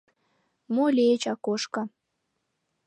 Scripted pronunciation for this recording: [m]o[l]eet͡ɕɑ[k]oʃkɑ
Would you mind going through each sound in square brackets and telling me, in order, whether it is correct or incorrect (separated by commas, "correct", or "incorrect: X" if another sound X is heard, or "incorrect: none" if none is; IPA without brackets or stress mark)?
correct, correct, correct